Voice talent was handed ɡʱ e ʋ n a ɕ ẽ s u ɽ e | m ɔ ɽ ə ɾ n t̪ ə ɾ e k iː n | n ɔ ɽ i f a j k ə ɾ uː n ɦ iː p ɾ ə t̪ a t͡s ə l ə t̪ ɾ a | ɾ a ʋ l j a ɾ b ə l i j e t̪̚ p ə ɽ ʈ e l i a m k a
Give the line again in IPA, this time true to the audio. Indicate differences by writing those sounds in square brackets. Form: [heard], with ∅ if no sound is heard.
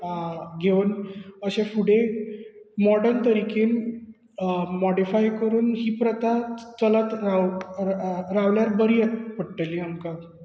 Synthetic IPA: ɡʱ e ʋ n [ə] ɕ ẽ [f] u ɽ e | m ɔ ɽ ə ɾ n t̪ ə ɾ [i] k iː n | [m] ɔ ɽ i f a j k ə ɾ uː n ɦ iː p ɾ ə t̪ a t͡s ə l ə t̪ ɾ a | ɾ a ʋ l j a ɾ b ə [ɾ] i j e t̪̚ p ə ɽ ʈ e l i a m k a